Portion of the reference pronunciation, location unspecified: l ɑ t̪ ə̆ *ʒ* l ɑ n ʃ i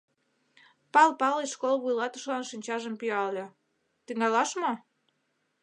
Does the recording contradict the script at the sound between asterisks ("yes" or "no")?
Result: yes